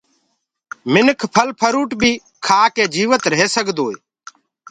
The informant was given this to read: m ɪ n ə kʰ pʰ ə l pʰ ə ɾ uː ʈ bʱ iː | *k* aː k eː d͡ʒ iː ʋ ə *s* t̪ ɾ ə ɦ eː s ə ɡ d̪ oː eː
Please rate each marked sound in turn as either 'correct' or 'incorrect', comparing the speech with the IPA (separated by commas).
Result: incorrect, incorrect